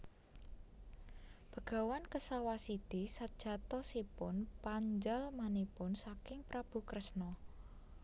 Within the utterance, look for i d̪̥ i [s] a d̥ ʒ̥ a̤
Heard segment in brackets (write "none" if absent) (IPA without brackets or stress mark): s